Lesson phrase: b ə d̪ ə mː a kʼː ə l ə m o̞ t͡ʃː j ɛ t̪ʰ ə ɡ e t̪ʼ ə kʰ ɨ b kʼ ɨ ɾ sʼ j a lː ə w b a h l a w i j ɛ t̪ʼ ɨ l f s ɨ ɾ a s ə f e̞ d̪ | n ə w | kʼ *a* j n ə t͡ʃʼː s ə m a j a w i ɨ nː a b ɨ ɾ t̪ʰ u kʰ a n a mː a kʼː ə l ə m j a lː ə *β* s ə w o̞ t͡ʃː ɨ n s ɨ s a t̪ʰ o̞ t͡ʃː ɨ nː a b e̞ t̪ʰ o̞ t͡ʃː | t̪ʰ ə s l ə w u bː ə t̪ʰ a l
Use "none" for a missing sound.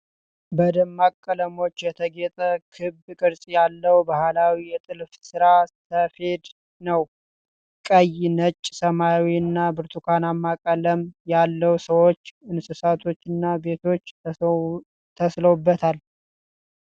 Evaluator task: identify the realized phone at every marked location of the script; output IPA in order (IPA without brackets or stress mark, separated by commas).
ə, w